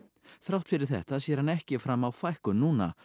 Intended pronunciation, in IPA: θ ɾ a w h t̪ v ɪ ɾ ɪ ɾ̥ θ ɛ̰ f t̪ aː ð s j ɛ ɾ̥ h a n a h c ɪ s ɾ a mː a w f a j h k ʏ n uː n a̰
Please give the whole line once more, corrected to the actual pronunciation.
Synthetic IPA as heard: θ ɾ a w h t̪ f ɪ ɾ ɪ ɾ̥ θ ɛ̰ h t̪ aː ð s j ɛ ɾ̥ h a n ɛ h c ɪ f ɾ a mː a w f a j h k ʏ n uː n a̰